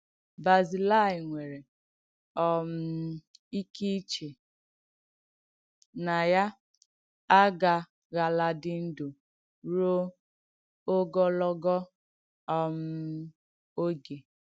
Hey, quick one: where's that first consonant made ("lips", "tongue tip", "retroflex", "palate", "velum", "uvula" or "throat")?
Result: lips